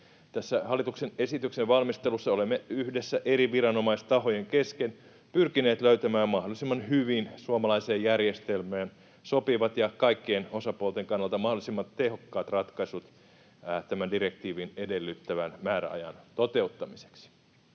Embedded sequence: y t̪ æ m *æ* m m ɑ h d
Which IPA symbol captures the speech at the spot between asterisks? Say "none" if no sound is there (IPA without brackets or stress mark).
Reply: æː